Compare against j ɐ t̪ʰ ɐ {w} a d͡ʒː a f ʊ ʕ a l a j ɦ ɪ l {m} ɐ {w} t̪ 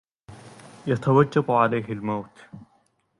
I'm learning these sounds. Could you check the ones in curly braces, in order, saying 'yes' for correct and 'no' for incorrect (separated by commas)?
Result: yes, yes, yes